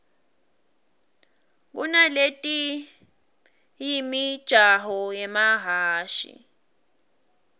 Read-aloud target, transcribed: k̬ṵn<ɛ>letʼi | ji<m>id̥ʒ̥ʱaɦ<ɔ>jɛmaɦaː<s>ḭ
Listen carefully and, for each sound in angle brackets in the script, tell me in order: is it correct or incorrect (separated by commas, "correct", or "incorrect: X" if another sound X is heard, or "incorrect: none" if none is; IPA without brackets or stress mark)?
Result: incorrect: a, correct, correct, incorrect: ʃ